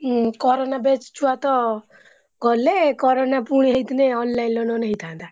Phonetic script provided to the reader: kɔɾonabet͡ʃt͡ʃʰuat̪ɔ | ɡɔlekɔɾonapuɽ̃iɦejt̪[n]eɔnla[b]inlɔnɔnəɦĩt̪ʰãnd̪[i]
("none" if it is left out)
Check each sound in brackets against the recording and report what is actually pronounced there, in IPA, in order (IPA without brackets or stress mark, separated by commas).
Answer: n, none, a